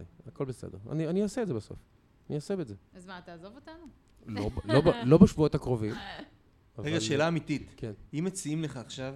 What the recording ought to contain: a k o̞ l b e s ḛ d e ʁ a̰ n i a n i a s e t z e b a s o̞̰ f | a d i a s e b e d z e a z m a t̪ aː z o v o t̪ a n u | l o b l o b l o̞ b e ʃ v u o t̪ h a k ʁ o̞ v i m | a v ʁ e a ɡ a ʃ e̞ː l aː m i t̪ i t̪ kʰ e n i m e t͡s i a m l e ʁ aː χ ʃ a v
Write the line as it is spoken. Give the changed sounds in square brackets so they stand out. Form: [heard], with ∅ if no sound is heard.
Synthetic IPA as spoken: a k o̞ l b e s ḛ d e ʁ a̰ n i a n i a s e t z e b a s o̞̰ f | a [n] i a s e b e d z e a z m a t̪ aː z o v o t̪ a n u | l o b l o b l o̞ b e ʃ v u o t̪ h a k ʁ o̞ v i m | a v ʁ e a ɡ a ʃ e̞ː l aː m i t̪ i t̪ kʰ e n i m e t͡s i [i] m l e [χ] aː χ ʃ a v